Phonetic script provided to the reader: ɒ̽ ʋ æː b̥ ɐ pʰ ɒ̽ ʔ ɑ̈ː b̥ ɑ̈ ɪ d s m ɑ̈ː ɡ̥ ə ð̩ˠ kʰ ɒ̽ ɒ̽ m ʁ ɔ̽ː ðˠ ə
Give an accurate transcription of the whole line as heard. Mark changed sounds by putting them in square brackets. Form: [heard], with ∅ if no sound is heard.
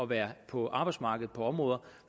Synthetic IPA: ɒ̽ ʋ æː [∅] ɐ pʰ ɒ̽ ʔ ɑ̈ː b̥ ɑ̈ ɪ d s m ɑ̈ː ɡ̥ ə ð̩ˠ [pʰ] ɒ̽ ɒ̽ m ʁ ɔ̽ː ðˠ [ɐ]